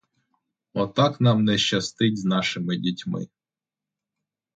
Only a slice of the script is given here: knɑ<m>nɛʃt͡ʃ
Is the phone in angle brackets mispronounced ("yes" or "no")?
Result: no